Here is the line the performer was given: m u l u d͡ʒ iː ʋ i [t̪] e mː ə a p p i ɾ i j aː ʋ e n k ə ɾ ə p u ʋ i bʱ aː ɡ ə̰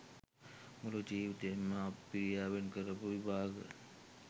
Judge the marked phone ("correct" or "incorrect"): correct